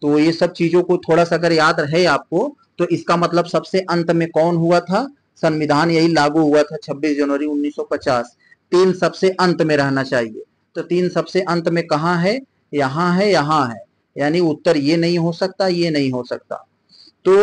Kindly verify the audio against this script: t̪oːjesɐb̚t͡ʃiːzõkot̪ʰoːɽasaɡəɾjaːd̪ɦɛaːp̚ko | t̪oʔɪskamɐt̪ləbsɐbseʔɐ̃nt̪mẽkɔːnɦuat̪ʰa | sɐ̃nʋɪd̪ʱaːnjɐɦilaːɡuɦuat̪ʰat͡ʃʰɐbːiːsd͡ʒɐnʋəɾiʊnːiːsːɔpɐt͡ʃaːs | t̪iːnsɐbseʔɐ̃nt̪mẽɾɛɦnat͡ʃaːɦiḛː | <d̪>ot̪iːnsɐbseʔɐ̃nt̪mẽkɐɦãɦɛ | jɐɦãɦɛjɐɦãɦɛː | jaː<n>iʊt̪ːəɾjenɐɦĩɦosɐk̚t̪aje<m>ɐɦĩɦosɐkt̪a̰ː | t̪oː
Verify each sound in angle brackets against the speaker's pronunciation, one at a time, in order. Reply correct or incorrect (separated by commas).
incorrect, correct, incorrect